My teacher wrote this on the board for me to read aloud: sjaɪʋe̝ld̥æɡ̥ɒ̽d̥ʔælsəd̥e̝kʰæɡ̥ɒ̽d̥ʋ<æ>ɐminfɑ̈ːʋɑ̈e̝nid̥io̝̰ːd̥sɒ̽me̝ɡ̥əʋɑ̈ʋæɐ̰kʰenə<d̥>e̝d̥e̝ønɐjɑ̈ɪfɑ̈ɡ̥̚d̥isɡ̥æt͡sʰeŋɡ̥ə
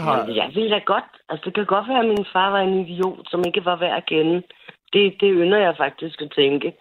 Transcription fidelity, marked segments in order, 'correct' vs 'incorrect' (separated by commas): incorrect, correct